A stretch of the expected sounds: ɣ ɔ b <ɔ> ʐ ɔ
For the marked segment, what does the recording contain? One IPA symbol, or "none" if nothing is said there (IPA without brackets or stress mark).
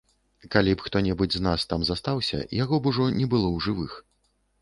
u